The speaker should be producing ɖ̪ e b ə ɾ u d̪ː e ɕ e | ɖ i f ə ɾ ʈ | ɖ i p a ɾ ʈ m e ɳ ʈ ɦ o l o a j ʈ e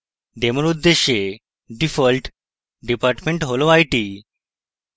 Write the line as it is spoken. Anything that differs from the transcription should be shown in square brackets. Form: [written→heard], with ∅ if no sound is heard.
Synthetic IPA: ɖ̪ e [b→m] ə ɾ u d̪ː e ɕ e | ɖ i f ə [ɾ→l] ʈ | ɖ i p a ɾ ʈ m e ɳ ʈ ɦ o l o a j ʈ [e→i]